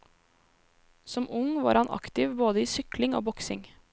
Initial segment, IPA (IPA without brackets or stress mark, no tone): s